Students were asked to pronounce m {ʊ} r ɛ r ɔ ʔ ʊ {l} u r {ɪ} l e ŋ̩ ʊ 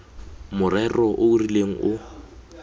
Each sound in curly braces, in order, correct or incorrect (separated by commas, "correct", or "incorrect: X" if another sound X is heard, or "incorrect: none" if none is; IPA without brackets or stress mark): correct, incorrect: none, incorrect: i